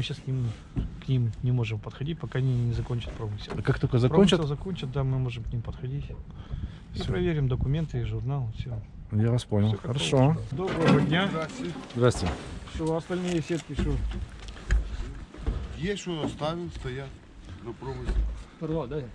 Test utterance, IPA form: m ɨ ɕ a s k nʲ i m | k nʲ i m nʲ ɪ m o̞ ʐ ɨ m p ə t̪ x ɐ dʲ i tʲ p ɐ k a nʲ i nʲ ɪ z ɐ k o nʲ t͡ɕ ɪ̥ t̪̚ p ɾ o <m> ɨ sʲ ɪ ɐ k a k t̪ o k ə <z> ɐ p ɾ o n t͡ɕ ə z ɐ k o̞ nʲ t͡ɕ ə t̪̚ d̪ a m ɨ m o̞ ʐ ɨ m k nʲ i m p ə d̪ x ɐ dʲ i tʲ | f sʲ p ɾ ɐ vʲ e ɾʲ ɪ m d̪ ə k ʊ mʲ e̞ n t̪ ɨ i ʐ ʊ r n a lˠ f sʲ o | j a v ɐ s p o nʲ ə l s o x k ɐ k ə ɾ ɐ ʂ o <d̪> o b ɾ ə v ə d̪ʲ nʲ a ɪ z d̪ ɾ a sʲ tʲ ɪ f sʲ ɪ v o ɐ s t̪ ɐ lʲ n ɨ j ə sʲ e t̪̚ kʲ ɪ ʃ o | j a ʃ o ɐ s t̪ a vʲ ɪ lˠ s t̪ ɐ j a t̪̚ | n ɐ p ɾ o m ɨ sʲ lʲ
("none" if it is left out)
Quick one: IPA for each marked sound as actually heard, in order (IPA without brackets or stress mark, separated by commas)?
m, z, d̪